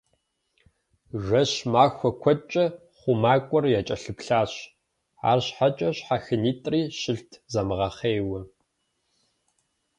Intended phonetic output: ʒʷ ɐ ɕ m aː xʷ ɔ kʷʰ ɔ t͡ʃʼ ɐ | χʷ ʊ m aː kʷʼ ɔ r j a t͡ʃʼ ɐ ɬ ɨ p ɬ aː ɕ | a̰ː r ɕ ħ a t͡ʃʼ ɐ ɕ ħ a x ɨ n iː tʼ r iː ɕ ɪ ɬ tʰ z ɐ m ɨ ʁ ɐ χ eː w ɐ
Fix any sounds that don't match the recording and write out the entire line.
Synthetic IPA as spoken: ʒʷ ɐ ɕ m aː xʷ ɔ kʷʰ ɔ t͡ʃʼ ɐ | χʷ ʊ m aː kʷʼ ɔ r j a t͡ʃʼ ɐ ɬ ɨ p ɬ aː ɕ | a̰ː r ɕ ħ a t͡ʃʼ ɐ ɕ ħ a x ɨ n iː tʼ r iː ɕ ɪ ɬ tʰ z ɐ m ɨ ʁ ɐ χ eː w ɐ